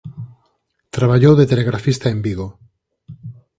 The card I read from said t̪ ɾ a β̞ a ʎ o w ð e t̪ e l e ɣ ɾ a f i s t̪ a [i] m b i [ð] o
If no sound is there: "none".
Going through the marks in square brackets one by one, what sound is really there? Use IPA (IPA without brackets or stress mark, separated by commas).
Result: e, ɣ